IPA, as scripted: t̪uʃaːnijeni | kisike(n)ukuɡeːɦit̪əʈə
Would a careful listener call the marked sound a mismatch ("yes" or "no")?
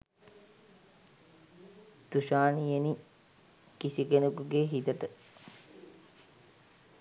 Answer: no